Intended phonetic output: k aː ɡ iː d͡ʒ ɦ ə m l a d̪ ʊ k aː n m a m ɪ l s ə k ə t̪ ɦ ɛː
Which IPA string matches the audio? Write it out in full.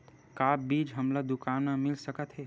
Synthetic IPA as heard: k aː b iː d͡ʒ ɦ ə m l a d̪ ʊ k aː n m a m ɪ l s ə k ə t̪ ɦ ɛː